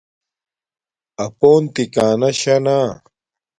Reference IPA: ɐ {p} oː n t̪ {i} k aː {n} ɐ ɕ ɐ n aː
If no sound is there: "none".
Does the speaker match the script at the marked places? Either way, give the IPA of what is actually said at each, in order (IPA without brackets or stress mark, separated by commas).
p, i, n